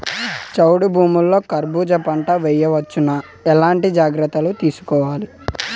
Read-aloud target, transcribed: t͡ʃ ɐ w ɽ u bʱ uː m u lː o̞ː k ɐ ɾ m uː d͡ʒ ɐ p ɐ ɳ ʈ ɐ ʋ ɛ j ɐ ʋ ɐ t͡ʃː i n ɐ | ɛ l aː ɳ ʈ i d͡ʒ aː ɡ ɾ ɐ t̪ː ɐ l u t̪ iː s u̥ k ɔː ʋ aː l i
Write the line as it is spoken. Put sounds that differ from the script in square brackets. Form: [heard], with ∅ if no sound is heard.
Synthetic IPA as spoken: t͡ʃ ɐ w ɽ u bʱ uː m u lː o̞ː k ɐ ɾ [b] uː d͡ʒ ɐ p ɐ ɳ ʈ ɐ ʋ ɛ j ɐ ʋ ɐ t͡ʃː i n ɐ | ɛ l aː ɳ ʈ i d͡ʒ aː ɡ ɾ ɐ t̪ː ɐ l u t̪ iː s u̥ k ɔː ʋ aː l i